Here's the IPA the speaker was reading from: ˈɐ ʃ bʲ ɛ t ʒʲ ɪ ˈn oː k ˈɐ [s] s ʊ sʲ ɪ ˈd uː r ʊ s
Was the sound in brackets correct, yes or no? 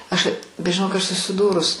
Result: no